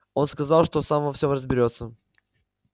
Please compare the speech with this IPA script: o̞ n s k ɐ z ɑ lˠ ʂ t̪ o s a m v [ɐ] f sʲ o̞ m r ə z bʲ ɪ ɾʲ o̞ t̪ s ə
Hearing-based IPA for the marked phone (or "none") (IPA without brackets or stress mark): ɐ